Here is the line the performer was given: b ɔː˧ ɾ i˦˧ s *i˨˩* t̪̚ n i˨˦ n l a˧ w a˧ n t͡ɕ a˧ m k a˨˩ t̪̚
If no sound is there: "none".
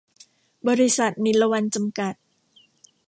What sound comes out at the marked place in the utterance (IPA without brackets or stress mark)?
a˨˩